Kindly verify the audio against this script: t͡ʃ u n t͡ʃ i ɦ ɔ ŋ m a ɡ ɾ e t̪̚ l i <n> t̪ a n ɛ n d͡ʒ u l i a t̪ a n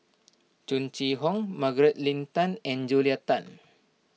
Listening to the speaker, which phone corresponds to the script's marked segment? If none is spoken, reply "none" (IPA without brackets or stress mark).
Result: n